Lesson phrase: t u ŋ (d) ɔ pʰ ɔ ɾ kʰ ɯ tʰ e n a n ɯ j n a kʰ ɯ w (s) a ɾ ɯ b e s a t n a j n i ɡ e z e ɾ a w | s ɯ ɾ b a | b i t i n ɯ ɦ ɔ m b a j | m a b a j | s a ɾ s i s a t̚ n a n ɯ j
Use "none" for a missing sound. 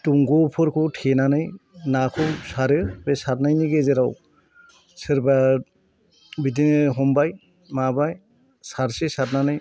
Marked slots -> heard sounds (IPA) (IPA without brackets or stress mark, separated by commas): ɡ, s